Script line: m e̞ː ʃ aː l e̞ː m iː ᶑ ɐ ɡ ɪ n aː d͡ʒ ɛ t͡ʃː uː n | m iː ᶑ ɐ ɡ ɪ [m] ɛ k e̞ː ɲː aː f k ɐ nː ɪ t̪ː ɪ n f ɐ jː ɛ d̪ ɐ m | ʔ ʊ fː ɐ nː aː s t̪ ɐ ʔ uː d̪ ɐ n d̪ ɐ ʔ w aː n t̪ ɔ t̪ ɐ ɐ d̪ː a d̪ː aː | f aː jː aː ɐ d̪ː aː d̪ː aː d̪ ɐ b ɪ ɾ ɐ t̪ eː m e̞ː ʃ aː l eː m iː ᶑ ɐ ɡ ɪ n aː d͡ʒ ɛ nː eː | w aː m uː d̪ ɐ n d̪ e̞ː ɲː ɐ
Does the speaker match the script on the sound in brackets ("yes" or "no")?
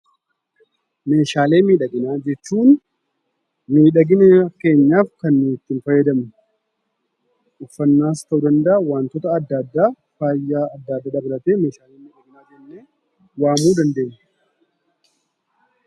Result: no